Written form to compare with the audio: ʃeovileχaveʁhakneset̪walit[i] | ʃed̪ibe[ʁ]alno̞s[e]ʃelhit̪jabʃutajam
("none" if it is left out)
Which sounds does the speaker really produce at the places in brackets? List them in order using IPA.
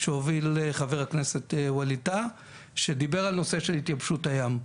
a, ʁ, e

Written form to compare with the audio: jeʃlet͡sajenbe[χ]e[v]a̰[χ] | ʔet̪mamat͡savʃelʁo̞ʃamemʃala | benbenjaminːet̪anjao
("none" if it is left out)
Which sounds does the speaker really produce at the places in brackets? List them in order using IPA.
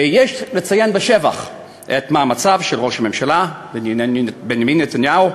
ʃ, v, χ

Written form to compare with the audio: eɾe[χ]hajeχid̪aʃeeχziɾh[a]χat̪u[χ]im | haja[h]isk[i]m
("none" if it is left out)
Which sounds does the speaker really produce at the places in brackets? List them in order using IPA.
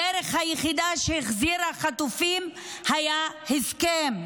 χ, a, f, h, e

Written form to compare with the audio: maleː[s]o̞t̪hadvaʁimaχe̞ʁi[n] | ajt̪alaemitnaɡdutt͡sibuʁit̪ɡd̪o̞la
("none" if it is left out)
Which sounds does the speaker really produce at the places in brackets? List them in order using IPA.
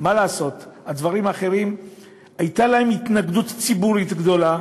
s, m

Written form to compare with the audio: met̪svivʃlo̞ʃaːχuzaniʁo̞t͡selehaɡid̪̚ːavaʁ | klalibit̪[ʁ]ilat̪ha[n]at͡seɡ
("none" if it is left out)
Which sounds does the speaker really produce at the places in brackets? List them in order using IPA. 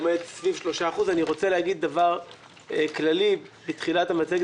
χ, m

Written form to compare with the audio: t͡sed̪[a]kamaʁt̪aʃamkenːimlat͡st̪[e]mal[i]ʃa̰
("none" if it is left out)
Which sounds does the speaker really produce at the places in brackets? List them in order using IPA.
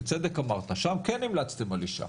e, e, i

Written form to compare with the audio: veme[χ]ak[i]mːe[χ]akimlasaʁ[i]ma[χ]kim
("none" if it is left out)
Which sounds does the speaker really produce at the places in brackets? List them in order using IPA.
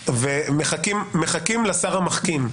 χ, i, χ, a, χ

